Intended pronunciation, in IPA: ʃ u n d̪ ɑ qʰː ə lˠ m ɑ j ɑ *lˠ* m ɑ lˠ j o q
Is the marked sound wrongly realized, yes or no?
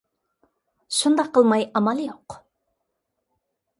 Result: yes